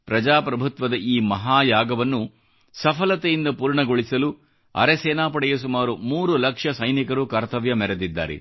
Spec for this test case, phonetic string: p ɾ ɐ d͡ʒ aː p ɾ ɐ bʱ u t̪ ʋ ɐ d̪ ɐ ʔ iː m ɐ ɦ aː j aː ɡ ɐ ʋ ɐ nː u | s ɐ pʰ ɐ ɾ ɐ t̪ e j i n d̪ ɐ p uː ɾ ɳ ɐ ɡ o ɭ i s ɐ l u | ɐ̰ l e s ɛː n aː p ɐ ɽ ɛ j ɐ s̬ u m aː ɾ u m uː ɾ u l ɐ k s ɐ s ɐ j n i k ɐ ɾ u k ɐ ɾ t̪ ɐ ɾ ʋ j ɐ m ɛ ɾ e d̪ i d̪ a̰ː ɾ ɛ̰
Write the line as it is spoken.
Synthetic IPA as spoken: p ɾ ɐ d͡ʒ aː p ɾ ɐ bʱ u t̪ ʋ ɐ d̪ ɐ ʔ iː m ɐ ɦ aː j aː ɡ ɐ ʋ ɐ nː u | s ɐ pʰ ɐ l ɐ t̪ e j i n d̪ ɐ p uː ɾ ɳ ɐ ɡ o ɭ i s ɐ l u | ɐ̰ ɾ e s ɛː n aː p ɐ ɽ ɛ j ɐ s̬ u m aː ɾ u m uː ɾ u l ɐ k ʂ ɐ s ɐ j n i k ɐ ɾ u k ɐ ɾ t̪ ɐ ʋ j ɐ m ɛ ɾ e d̪ i d̪ː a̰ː ɾ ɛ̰